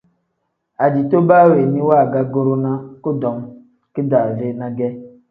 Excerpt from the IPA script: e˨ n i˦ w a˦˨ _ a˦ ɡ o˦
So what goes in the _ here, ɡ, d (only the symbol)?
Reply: ɡ